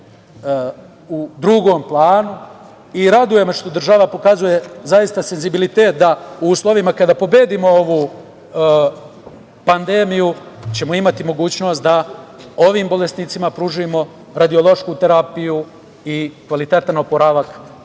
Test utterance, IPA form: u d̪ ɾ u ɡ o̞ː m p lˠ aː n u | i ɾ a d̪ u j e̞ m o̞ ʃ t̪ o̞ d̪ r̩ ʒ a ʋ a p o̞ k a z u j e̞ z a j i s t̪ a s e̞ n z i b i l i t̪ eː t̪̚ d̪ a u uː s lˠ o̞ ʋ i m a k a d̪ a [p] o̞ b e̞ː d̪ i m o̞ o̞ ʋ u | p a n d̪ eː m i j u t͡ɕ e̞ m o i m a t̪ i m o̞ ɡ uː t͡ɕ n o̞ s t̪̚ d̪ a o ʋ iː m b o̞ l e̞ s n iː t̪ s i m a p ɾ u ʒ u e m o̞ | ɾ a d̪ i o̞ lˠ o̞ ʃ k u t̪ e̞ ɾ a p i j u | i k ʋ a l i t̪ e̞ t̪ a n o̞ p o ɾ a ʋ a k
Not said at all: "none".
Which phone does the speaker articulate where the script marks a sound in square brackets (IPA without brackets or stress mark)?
p